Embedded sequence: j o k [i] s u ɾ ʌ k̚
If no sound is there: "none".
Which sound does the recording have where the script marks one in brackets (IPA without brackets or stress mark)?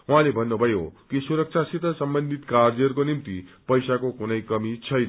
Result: i